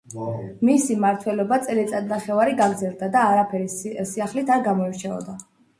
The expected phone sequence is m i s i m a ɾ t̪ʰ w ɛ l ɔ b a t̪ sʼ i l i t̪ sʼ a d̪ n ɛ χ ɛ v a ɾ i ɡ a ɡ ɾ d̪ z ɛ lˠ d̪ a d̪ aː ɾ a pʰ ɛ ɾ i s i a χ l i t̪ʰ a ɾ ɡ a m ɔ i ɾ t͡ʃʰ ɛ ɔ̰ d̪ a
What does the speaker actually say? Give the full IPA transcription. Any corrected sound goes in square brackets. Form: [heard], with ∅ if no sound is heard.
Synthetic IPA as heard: m i s i m a ɾ t̪ʰ w ɛ l ɔ b a t̪ sʼ [ɛ] l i t̪ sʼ a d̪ n [a] χ ɛ v a ɾ i ɡ a ɡ ɾ d̪ z ɛ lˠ d̪ a d̪ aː ɾ a pʰ ɛ ɾ i s i a χ l i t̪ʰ a ɾ ɡ a m ɔ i ɾ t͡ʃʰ ɛ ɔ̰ d̪ a